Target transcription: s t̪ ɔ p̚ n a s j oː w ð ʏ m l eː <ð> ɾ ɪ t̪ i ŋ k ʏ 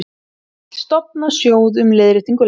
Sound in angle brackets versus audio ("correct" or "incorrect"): correct